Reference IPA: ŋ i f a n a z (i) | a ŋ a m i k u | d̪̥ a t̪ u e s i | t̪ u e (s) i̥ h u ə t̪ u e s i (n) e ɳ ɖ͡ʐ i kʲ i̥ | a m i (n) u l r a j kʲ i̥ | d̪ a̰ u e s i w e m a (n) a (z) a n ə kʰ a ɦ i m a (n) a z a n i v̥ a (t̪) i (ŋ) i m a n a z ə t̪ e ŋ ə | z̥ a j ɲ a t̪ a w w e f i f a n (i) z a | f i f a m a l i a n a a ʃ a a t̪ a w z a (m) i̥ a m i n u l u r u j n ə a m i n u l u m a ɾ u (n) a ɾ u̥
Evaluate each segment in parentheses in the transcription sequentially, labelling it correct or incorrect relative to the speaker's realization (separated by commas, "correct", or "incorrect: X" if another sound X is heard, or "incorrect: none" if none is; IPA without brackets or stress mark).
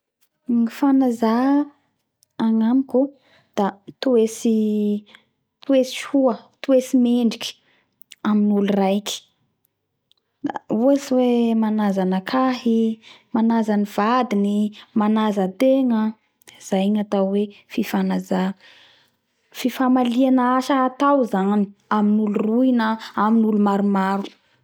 incorrect: a, correct, incorrect: m, correct, correct, correct, correct, incorrect: d̪, incorrect: n, incorrect: a, incorrect: n, incorrect: m